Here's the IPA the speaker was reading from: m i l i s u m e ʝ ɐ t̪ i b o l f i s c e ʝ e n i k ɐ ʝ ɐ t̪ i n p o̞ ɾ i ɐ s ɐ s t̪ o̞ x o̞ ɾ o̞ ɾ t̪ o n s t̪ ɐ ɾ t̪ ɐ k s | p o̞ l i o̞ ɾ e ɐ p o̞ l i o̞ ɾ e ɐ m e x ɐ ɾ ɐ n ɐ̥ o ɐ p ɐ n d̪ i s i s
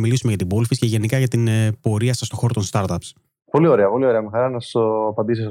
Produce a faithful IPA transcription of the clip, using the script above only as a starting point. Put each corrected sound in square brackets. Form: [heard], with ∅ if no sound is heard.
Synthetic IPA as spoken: m i l i s u m e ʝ ɐ t̪ i b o l f i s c e ʝ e n i k ɐ ʝ ɐ t̪ i n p o̞ ɾ i ɐ s ɐ s t̪ o̞ x o̞ ɾ o̞ [∅] t̪ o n s t̪ ɐ ɾ t̪ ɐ [p] s | p o̞ l i o̞ ɾ e ɐ p o̞ l i o̞ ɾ e ɐ m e x ɐ ɾ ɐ n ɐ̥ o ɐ p ɐ n d̪ i s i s